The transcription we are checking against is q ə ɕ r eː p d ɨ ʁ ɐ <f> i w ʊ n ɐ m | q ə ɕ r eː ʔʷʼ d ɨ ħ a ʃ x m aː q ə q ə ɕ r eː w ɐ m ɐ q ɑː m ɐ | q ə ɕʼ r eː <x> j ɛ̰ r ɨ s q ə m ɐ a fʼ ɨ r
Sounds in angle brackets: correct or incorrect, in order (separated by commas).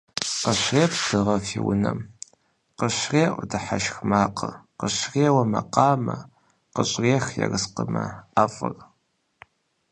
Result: correct, correct